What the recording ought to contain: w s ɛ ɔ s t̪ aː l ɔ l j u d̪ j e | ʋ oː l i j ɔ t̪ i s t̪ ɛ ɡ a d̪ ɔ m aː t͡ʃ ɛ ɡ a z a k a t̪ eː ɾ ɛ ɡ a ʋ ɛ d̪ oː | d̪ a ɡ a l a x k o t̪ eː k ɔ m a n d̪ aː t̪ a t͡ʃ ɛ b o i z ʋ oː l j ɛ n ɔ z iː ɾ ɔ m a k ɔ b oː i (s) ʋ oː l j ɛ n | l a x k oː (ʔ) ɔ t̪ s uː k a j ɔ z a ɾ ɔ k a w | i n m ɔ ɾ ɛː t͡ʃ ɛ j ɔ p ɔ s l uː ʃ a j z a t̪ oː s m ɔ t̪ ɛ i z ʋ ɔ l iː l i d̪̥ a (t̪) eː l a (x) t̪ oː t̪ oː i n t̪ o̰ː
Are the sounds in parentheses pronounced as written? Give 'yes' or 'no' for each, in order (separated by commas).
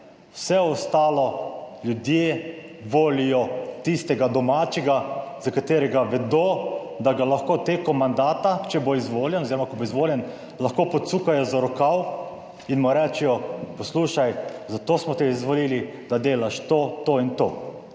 no, no, no, no